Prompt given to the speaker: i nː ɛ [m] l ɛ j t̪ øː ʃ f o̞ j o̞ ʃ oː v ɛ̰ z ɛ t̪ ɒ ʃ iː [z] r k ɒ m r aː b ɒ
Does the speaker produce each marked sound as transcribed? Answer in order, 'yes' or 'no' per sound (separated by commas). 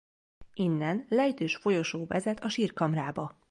no, no